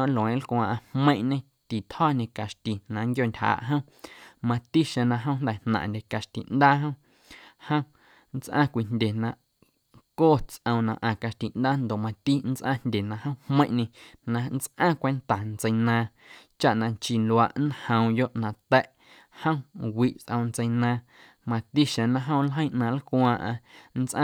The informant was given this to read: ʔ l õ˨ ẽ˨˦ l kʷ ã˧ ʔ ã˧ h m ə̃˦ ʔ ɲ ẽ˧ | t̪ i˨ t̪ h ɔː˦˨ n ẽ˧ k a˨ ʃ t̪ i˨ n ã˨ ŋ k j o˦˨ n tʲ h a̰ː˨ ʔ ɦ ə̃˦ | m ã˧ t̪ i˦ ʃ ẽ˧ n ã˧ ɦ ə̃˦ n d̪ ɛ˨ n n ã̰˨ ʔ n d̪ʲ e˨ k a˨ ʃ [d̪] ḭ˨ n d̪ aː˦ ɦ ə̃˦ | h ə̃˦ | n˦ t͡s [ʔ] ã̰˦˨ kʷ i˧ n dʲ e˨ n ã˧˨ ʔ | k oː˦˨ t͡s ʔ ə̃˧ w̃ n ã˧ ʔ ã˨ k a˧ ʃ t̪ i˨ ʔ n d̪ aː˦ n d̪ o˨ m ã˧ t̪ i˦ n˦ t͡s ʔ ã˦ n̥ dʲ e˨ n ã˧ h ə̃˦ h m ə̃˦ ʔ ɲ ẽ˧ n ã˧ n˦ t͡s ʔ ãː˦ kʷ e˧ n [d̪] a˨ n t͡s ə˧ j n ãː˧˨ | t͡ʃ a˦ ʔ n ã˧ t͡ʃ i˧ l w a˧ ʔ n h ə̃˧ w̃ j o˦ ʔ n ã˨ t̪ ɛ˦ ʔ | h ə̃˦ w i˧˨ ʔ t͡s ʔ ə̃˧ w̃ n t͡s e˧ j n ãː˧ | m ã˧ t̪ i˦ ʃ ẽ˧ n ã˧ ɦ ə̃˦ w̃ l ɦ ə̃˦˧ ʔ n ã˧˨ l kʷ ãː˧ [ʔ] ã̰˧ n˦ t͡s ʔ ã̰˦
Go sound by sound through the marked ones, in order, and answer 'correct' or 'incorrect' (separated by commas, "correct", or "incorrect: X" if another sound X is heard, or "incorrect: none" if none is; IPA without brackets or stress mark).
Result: incorrect: t̪, correct, incorrect: t̪, correct